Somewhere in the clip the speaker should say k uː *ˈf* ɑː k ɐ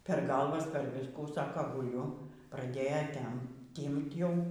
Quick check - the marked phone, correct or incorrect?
incorrect